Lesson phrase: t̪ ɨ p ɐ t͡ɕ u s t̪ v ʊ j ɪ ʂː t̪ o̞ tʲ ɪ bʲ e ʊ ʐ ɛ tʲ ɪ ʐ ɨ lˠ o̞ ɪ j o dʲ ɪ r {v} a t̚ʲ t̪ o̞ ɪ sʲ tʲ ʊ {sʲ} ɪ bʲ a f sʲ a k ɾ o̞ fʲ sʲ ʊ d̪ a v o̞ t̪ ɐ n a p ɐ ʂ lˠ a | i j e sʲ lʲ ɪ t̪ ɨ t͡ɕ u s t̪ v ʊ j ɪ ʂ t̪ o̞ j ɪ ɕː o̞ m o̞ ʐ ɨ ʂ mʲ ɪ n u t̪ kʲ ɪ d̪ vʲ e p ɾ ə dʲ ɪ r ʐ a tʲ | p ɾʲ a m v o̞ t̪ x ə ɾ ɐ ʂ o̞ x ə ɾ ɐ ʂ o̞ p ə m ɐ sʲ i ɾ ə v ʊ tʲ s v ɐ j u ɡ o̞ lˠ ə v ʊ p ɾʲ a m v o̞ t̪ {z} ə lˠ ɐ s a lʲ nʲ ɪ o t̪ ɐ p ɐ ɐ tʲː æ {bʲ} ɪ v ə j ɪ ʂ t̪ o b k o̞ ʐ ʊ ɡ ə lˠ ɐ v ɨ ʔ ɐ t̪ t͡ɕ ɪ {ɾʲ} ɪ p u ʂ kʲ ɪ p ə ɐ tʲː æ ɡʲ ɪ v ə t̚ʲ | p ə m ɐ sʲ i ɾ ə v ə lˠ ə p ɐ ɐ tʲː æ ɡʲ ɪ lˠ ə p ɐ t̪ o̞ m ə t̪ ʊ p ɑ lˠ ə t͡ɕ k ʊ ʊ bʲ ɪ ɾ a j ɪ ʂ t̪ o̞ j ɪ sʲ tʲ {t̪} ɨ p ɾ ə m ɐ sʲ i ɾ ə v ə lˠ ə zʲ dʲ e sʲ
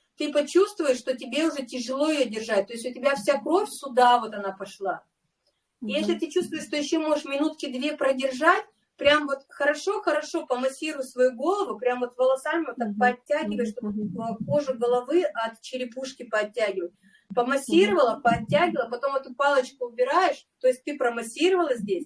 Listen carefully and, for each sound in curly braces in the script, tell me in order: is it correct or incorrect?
incorrect: ʐ, incorrect: tʲ, incorrect: v, incorrect: ɡʲ, correct, correct

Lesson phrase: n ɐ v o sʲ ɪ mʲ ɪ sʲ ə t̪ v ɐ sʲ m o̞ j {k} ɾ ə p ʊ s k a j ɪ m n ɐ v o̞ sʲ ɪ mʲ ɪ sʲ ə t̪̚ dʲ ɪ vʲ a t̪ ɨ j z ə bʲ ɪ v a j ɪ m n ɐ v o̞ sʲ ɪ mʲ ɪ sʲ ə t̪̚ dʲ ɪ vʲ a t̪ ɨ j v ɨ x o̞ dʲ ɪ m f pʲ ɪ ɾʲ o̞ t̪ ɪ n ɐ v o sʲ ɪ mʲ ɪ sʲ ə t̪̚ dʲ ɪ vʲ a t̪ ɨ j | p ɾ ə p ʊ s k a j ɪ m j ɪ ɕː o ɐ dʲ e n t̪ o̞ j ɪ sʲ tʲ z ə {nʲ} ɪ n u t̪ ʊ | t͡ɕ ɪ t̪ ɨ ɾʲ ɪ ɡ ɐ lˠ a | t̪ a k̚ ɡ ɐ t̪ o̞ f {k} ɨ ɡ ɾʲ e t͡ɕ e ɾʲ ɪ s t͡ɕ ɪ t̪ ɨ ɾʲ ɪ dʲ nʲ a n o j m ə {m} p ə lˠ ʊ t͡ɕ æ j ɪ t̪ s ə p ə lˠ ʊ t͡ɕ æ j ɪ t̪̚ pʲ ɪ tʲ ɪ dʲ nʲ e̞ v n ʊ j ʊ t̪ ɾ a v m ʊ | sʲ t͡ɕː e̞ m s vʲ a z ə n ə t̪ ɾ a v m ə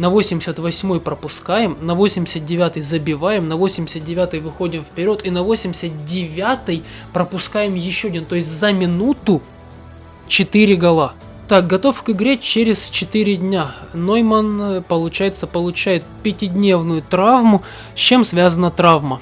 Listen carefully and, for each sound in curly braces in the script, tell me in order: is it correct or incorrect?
incorrect: p, incorrect: mʲ, correct, incorrect: n

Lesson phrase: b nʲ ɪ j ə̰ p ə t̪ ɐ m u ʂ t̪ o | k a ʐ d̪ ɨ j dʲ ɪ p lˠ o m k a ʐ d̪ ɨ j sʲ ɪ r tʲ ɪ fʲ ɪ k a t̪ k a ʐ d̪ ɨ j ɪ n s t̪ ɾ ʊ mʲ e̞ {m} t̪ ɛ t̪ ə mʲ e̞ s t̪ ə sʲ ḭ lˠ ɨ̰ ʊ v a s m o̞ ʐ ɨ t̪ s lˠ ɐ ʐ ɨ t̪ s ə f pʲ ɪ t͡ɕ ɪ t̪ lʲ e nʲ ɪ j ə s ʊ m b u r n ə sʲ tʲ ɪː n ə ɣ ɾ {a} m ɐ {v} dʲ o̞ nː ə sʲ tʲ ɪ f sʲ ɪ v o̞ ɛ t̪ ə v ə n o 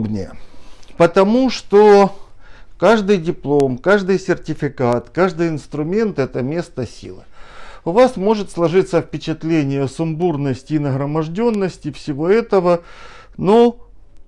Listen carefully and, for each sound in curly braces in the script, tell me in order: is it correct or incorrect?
incorrect: n, incorrect: ə, incorrect: ʐ

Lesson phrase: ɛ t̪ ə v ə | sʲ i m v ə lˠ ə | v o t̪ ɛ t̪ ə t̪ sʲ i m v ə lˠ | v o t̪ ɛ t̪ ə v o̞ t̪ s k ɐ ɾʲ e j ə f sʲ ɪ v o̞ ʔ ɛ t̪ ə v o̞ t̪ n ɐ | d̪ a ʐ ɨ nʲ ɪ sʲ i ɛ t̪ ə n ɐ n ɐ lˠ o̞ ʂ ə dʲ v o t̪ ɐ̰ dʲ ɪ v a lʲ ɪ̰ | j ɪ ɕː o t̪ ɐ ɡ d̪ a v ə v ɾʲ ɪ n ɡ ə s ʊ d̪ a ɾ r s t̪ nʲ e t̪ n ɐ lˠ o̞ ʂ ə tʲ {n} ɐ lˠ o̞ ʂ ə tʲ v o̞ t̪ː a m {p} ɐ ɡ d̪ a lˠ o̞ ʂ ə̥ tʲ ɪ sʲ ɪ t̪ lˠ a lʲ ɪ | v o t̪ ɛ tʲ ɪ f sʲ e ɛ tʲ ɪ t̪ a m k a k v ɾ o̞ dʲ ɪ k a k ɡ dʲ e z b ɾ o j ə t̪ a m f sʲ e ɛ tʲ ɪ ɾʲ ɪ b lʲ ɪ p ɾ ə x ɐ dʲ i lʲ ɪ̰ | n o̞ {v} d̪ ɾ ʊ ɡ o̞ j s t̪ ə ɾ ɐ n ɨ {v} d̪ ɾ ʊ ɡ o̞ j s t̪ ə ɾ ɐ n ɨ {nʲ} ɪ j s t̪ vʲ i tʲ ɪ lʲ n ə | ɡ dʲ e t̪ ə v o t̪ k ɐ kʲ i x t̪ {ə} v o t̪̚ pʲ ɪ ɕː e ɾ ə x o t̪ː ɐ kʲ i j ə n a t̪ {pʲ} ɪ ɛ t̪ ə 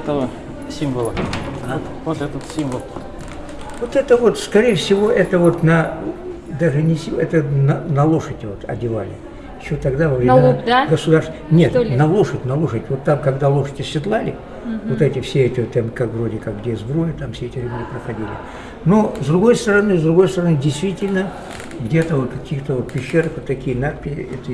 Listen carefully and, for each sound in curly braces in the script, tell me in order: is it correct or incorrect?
correct, incorrect: k, incorrect: z, incorrect: z, incorrect: dʲ, correct, correct

